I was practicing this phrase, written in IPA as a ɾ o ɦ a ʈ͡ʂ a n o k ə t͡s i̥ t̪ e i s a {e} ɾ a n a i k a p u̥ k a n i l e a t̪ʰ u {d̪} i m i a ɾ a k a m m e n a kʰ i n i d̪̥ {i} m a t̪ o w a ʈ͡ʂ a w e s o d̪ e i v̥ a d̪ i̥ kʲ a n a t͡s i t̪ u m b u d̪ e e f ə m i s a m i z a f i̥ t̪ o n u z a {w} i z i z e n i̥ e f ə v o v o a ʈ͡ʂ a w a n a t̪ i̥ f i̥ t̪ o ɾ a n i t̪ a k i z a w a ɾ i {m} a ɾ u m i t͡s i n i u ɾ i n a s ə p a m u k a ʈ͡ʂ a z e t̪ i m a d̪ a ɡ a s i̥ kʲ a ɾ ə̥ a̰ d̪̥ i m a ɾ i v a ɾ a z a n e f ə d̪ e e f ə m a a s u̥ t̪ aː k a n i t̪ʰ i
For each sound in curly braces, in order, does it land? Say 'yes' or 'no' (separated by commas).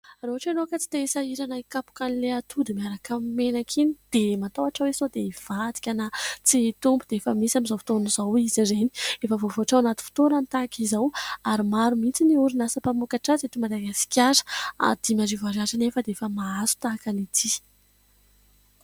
no, yes, no, yes, yes